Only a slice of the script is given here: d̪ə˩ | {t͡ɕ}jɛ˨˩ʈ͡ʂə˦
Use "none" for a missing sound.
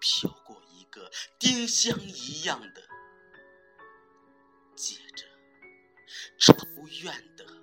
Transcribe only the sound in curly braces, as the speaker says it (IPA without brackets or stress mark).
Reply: t͡ɕ